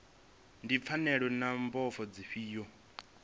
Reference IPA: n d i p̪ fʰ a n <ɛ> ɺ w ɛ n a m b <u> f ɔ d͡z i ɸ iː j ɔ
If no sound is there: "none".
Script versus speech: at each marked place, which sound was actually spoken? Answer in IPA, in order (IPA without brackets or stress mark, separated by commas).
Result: ɛ, ɔ